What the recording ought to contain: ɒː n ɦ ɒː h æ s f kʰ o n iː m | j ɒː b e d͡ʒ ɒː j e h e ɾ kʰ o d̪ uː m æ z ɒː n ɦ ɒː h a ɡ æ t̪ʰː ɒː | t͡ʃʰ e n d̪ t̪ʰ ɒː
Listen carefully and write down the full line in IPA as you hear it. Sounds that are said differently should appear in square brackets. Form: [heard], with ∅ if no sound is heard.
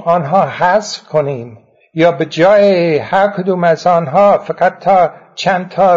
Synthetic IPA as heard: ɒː n ɦ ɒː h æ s f kʰ o n iː m | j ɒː b e d͡ʒ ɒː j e h [æ] ɾ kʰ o d̪ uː m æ z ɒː n ɦ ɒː [f] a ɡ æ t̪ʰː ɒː | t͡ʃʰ [æ] n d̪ t̪ʰ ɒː